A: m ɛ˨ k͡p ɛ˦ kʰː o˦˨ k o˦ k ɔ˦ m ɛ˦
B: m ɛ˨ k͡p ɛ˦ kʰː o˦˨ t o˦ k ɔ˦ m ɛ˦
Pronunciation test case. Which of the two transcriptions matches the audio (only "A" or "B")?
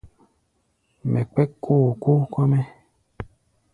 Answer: A